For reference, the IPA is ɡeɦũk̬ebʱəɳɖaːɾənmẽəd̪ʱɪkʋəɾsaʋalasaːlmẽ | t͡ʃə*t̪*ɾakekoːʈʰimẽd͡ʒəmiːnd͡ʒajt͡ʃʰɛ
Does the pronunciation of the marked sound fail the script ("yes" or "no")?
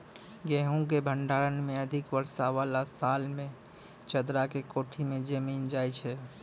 yes